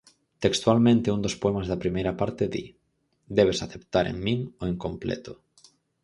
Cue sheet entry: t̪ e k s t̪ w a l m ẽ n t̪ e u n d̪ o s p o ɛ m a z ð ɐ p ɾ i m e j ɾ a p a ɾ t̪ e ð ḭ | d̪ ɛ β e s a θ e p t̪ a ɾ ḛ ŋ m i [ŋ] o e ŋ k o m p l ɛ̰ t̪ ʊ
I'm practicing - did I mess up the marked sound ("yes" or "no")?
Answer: no